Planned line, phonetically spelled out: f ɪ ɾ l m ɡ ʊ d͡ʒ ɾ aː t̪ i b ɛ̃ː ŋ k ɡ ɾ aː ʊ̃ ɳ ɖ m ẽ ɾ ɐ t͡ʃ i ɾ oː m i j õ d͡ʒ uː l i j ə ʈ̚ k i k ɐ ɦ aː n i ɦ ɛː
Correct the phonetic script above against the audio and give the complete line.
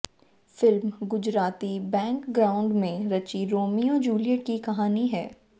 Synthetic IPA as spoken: f ɪ l m ɡ ʊ d͡ʒ ɾ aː t̪ i b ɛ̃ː ŋ k ɡ ɾ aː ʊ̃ ɳ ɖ m ẽ ɾ ɐ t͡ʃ i ɾ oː m i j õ d͡ʒ uː l i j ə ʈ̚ k i k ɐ ɦ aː n i ɦ ɛː